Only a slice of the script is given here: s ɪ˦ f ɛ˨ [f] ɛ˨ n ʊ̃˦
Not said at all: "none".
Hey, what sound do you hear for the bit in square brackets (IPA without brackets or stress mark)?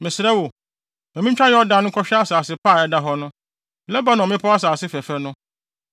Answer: f